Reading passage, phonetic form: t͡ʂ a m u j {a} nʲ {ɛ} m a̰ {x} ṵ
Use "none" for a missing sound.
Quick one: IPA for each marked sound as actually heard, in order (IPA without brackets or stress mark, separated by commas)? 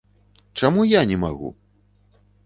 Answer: a, ɛ, ɣ